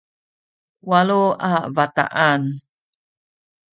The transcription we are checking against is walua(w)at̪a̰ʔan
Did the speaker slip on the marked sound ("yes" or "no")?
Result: yes